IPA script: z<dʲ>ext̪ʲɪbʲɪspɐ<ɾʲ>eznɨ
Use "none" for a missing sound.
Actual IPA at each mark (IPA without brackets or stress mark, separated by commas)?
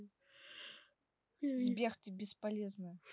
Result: bʲ, lʲ